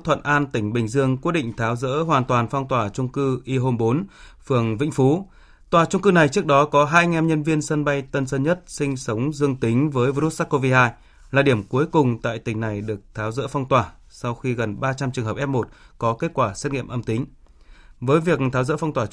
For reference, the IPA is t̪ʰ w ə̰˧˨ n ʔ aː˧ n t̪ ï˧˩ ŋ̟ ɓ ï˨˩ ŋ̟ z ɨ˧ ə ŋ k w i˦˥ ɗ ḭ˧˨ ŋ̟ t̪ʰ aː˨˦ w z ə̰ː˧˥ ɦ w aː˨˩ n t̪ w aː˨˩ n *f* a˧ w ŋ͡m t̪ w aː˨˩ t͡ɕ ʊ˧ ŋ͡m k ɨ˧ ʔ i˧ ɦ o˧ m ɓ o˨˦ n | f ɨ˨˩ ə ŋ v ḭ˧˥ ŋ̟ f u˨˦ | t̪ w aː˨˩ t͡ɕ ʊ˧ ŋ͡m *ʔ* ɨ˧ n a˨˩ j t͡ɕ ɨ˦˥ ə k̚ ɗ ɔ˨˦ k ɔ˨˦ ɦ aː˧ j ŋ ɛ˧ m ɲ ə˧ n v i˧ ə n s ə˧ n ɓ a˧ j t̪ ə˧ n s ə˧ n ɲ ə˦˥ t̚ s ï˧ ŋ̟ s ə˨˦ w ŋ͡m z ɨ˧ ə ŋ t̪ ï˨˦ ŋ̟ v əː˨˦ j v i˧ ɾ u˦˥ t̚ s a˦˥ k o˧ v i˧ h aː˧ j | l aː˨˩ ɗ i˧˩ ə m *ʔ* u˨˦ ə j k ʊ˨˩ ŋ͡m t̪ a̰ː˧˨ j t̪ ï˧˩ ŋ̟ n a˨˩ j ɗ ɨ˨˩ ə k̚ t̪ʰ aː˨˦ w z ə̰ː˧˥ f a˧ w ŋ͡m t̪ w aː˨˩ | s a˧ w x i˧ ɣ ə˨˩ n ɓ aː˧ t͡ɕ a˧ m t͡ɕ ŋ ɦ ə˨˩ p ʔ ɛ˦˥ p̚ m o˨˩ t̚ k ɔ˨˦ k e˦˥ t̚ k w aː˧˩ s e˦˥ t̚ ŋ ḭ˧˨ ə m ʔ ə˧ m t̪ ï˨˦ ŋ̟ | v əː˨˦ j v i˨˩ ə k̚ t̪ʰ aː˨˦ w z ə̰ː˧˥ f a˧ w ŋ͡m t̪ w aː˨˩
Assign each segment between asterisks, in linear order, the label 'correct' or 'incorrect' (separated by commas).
correct, incorrect, incorrect